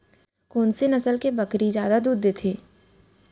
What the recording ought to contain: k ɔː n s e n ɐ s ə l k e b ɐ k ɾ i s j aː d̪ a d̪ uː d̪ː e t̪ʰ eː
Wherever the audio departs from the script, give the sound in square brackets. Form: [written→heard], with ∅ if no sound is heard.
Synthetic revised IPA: k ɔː n s e n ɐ s ə l k e b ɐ k ɾ i [s→z] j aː d̪ a d̪ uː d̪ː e t̪ʰ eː